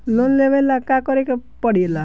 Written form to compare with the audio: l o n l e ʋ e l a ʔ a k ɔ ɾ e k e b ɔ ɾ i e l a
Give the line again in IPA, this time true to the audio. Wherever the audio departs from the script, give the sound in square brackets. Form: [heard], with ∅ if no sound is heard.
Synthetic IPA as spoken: l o n l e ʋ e l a [k] a k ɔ ɾ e k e [p] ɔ [ɽ] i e l a